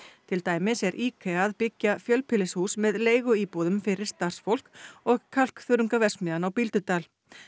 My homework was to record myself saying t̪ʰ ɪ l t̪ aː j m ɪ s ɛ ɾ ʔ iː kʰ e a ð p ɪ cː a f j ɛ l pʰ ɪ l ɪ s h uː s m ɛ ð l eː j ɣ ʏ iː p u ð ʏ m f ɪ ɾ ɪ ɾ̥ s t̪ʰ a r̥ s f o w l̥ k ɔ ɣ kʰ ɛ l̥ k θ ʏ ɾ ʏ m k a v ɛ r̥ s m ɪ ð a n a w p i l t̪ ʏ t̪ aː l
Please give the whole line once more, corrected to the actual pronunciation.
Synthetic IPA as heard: t̪ʰ ɪ l t̪ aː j m ɪ s ɛ ɾ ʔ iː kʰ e a ð p ɪ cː a f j œ l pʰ ɪ l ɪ s h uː s m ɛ ð l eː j ɣ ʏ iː p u ð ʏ m f ɪ ɾ ɪ ɾ̥ s t̪ a r̥ s f o w l̥ k ɔ ɣ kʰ a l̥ k θ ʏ ɾ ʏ ŋ k a v ɛ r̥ s m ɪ ð a n a w p i l t̪ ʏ t̪ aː l